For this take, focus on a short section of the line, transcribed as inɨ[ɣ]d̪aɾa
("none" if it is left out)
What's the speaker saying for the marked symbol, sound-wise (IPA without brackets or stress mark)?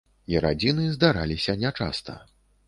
z